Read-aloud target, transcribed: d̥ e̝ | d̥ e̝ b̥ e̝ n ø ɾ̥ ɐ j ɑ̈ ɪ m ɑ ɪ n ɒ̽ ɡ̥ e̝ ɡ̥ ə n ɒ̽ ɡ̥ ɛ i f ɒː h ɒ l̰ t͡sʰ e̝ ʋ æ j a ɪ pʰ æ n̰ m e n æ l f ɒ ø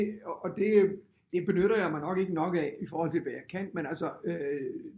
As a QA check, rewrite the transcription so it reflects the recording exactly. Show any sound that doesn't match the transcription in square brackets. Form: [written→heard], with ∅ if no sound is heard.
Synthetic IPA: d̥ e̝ | d̥ e̝ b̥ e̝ n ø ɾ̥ ɐ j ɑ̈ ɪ m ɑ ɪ n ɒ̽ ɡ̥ e̝ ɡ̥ ə n ɒ̽ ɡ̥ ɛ i f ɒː h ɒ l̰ t͡sʰ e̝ ʋ æ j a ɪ [pʰ→kʰ] æ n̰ m e n æ l [f→s] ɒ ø